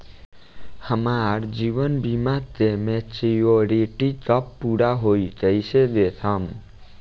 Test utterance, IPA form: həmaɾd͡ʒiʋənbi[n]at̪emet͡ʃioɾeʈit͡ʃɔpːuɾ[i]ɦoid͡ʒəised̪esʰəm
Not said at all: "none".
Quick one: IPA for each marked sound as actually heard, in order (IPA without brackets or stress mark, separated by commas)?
m, a